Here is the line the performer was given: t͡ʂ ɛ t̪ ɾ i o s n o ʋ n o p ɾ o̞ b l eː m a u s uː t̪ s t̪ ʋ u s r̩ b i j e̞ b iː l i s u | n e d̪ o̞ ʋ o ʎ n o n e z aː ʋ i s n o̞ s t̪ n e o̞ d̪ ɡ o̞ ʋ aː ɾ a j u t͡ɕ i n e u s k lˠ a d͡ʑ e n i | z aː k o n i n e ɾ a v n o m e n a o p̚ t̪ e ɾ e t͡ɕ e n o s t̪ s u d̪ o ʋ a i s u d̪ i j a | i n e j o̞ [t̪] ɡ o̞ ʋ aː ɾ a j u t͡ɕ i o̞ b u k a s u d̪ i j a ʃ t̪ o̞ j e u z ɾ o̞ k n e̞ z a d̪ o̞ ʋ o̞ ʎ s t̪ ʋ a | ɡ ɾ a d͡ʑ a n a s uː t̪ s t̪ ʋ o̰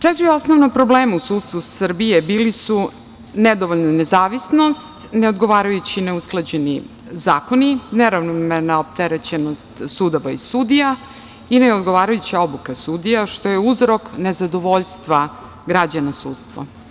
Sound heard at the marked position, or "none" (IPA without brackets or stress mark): d̪